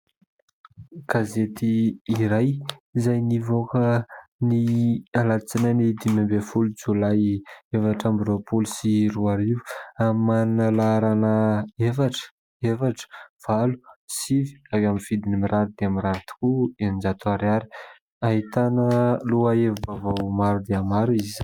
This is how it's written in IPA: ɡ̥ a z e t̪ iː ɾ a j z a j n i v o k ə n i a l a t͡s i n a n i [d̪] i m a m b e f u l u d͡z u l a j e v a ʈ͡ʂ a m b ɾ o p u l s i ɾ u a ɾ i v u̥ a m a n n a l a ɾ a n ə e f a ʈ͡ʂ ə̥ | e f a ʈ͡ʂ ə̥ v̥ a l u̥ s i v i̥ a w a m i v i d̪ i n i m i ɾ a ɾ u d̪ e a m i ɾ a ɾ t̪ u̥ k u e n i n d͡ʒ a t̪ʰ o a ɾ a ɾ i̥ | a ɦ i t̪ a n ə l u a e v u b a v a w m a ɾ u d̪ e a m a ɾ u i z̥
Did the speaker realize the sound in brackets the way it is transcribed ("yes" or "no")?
yes